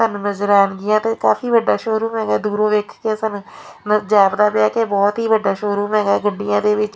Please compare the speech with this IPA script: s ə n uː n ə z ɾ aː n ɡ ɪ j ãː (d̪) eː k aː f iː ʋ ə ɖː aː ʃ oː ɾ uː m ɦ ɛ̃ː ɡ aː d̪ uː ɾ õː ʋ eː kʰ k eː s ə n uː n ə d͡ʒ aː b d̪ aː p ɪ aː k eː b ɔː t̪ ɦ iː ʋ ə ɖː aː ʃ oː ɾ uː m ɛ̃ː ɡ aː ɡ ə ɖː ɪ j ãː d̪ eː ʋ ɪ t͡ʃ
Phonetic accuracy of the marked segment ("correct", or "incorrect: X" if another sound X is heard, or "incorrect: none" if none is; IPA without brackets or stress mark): incorrect: t̪